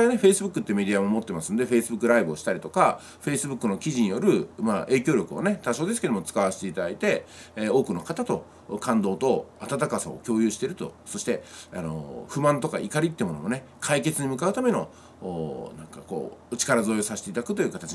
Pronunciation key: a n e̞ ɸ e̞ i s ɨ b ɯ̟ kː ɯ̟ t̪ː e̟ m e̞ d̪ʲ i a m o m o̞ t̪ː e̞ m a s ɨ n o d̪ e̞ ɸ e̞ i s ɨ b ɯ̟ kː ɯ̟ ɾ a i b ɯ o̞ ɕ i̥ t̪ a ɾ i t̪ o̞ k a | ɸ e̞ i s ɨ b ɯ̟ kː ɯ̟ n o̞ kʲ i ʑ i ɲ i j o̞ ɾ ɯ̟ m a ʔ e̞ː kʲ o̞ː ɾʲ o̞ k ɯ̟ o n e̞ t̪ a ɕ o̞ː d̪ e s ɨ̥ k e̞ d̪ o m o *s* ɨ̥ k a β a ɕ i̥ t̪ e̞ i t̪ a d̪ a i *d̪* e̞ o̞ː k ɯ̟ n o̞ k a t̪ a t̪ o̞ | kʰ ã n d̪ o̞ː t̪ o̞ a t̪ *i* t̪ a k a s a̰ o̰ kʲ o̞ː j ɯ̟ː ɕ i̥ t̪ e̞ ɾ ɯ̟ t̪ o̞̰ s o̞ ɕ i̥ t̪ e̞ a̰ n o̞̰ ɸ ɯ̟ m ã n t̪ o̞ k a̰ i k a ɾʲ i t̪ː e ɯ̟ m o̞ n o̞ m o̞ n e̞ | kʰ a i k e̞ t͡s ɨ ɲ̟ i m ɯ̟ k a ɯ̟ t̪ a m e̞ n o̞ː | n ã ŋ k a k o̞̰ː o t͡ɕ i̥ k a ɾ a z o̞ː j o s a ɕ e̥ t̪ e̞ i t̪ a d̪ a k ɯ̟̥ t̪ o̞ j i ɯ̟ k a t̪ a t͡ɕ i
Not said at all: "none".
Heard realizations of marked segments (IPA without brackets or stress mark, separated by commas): t͡s, t̪, a